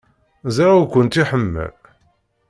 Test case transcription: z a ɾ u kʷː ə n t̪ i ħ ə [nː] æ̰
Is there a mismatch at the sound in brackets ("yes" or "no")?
yes